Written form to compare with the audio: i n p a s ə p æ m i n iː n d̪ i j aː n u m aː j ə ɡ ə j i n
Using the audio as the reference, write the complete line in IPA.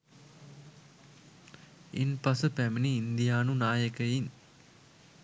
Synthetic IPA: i n p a s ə p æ m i n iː n d̪ i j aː n u n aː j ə k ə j i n